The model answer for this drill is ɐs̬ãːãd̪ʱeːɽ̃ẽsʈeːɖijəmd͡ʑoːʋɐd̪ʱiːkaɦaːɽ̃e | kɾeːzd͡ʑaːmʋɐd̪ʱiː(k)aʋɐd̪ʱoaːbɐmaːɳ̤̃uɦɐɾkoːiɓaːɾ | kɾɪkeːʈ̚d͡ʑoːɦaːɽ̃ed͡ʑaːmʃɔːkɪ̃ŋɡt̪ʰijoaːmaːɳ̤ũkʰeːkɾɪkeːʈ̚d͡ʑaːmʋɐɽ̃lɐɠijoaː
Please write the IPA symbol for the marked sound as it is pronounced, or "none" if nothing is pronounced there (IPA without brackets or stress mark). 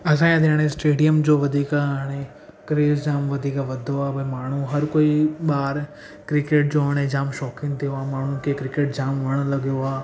k